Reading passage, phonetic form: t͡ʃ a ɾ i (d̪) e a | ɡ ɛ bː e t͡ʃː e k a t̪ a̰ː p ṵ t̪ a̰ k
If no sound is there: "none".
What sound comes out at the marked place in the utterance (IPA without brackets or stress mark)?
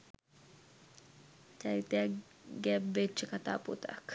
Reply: t̪